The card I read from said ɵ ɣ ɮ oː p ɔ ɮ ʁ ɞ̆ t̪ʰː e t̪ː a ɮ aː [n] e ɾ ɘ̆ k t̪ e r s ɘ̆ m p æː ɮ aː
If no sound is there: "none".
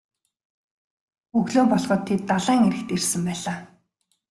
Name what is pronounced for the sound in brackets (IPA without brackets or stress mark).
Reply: ŋ